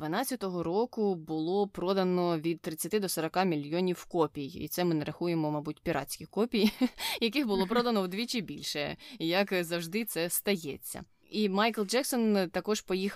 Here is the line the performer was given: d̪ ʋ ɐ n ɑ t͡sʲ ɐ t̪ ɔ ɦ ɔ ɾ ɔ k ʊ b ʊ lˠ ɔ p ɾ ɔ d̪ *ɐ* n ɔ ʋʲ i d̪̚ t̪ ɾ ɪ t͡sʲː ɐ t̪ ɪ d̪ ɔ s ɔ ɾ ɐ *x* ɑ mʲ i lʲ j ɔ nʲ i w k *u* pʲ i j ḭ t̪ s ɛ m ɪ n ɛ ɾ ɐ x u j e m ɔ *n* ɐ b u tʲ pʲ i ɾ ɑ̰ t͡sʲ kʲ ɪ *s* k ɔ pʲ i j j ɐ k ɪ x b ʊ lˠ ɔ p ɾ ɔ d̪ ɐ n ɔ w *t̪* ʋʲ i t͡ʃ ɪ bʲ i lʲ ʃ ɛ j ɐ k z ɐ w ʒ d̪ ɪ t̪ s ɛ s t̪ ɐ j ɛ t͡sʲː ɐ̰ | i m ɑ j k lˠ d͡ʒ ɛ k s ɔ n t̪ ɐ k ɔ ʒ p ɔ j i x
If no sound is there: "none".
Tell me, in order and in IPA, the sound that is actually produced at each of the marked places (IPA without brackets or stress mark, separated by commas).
ɐ, k, ɔ, m, x, d̪